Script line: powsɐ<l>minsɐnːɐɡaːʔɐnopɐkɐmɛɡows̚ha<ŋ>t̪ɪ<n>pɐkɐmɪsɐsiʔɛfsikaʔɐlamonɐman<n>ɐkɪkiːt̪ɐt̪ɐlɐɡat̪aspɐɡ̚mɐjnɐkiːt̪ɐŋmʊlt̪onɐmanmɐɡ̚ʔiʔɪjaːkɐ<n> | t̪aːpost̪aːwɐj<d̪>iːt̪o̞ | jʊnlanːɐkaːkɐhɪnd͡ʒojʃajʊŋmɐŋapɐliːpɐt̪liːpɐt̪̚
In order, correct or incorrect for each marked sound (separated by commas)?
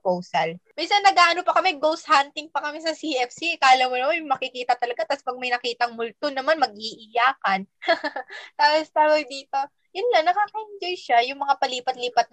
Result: correct, incorrect, incorrect, incorrect, correct, correct